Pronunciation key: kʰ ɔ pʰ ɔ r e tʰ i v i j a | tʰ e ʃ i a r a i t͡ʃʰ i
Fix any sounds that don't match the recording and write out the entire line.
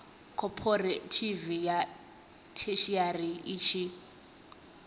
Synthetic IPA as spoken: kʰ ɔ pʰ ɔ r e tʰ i v i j a | tʰ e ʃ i a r i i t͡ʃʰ i